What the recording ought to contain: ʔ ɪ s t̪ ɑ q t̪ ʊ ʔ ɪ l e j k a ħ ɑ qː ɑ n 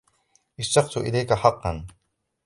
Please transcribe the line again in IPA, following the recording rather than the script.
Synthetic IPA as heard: ʔ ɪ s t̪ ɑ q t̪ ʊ ʔ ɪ l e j k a ħ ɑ qː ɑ n